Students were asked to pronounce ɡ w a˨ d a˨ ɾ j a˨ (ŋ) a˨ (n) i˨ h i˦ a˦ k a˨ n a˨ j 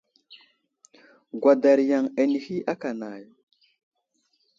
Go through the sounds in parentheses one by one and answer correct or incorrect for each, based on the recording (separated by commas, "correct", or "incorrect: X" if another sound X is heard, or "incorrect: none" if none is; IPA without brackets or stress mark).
correct, correct